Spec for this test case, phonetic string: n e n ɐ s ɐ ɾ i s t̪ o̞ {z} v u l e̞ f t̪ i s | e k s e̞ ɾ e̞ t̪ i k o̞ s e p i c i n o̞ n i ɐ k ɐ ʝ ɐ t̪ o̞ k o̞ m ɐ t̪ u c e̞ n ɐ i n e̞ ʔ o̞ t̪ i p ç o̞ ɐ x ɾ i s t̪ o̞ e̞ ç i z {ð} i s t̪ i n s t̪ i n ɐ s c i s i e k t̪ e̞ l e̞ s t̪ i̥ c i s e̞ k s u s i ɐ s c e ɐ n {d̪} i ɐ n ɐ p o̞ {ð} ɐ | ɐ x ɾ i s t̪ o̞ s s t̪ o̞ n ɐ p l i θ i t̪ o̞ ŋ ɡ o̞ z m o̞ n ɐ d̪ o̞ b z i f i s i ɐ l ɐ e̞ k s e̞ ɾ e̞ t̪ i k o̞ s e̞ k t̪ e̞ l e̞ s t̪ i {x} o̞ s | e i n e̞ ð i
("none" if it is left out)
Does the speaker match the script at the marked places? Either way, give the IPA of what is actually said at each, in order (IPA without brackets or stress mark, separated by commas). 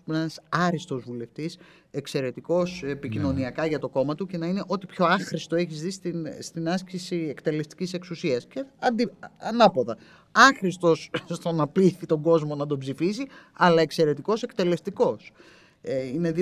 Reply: z, ð, d̪, ð, k